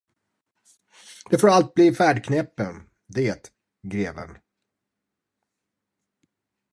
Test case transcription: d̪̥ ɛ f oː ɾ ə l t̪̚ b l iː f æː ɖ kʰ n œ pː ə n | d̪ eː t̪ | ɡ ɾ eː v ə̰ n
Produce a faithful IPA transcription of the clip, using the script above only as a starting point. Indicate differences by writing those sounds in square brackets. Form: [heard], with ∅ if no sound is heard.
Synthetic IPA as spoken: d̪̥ ɛ f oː ɾ [a] l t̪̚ b l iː f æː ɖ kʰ n [ɛ] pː ə n | d̪ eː t̪ | ɡ ɾ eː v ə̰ n

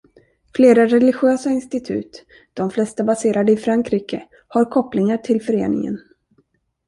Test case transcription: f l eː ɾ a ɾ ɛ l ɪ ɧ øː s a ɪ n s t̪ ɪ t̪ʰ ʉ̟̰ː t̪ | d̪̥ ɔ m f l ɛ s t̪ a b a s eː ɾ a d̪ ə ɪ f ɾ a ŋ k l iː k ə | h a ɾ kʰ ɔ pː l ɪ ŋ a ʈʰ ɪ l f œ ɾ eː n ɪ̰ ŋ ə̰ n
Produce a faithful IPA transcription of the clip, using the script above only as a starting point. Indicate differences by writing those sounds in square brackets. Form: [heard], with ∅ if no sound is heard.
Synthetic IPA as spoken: f l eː ɾ a ɾ ɛ l ɪ ɧ øː s a ɪ n s t̪ ɪ t̪ʰ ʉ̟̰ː t̪ | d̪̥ ɔ m f l ɛ s t̪ a b a s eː ɾ a d̪ ə ɪ f ɾ a ŋ k [ɾ] iː k ə | h a ɾ kʰ ɔ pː l ɪ ŋ a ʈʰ ɪ l f œ ɾ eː n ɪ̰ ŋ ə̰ n

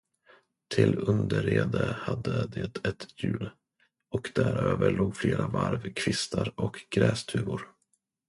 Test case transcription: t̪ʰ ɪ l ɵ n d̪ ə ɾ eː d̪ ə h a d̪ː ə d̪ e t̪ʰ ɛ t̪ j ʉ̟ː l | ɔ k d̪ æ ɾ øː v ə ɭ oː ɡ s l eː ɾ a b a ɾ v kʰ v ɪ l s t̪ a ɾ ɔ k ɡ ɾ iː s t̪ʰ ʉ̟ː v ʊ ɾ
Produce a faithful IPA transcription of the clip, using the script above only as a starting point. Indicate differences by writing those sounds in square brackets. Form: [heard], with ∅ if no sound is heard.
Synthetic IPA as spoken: t̪ʰ ɪ l ɵ n d̪ ə ɾ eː d̪ ə h a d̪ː ə d̪ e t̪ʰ ɛ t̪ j ʉ̟ː l | ɔ k d̪ æ ɾ øː v ə ɭ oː ɡ [f] l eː ɾ a [v] a ɾ v kʰ v ɪ [∅] s t̪ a ɾ ɔ k ɡ ɾ [ɛː] s t̪ʰ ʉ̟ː v ʊ ɾ

